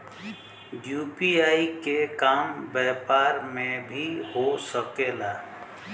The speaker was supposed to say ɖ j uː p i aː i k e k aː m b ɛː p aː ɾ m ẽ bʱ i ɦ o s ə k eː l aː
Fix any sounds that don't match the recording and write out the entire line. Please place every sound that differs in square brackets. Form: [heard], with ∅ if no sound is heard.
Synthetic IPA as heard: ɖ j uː p i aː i k e k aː m b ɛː p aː ɾ m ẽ bʱ i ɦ o s ə k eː l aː